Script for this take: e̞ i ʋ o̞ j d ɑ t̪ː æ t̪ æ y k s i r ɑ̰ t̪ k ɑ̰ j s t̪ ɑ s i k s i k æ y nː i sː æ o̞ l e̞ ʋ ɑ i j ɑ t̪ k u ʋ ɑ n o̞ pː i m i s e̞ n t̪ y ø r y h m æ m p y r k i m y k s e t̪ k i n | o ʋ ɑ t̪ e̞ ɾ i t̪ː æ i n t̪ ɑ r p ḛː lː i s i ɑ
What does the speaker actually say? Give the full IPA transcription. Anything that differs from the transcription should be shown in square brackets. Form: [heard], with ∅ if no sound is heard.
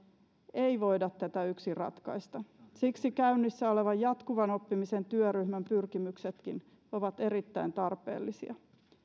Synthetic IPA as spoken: e̞ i ʋ o̞ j d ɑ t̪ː æ t̪ æ y k s i r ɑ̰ t̪ k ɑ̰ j s t̪ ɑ s i k s i k æ y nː i sː æ o̞ l e̞ ʋ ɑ [j] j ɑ t̪ k u ʋ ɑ n o̞ pː i m i s e̞ n t̪ y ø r y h m æ m p y r k i m y k s e t̪ k i n | o ʋ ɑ t̪ e̞ ɾ i t̪ː æ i n t̪ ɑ r p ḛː lː i s i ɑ